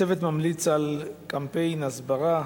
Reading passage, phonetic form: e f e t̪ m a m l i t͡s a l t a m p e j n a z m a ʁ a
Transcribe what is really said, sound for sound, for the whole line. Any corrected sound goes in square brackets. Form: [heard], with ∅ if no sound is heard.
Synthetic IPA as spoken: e [v] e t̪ m a m l i t͡s a l [k] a m p e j n a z [b] a ʁ a